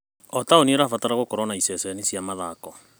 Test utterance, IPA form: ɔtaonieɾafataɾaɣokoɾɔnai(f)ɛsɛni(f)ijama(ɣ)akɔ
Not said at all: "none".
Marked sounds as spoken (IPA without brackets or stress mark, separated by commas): s, s, ð